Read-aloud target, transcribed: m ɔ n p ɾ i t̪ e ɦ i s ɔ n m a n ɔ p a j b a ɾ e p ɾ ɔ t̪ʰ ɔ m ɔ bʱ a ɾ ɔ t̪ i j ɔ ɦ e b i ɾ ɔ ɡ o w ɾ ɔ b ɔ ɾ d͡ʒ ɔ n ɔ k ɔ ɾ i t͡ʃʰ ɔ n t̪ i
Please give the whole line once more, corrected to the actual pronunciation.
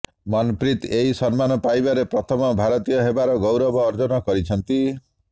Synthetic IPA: m ɔ n p ɾ i t̪ e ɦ i s ɔ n m a n ɔ p a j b a ɾ e p ɾ ɔ t̪ʰ ɔ m ɔ bʱ a ɾ ɔ t̪ i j ɔ ɦ e b a ɾ ɔ ɡ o w ɾ ɔ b ɔː ɾ d͡ʒ ɔ n ɔ k ɔ ɾ i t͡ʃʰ ɔ n t̪ i